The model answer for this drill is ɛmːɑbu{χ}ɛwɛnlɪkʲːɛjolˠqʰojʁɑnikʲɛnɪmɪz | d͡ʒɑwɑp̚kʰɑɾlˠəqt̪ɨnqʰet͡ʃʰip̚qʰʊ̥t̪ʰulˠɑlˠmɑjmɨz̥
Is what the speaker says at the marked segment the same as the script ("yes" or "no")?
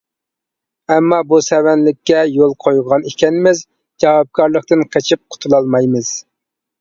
no